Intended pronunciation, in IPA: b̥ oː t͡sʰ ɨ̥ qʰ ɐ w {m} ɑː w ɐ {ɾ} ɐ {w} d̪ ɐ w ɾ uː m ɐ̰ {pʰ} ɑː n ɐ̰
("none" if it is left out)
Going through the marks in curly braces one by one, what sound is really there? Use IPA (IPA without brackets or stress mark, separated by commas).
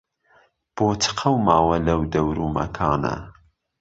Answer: m, l, w, kʰ